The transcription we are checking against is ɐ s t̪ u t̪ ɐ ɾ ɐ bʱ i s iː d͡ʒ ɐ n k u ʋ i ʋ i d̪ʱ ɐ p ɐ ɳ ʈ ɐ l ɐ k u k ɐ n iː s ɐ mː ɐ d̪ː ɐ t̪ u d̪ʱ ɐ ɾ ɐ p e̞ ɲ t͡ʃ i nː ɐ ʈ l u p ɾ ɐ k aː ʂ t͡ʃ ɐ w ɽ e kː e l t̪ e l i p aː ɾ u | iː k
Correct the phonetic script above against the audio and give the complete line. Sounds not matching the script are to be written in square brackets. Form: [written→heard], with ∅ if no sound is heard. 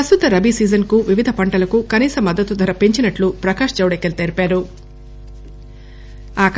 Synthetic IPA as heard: ɐ s t̪ u t̪ ɐ ɾ ɐ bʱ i s iː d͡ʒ ɐ n k u ʋ i ʋ i d̪ʱ ɐ p ɐ ɳ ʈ ɐ l ɐ k u k ɐ n iː s ɐ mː ɐ d̪ː ɐ t̪ u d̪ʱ ɐ ɾ ɐ p e̞ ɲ t͡ʃ i [nː→n] ɐ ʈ l u p ɾ ɐ k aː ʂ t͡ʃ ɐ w ɽ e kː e l t̪ e [l→ɾ] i p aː ɾ u | [iː→aː] k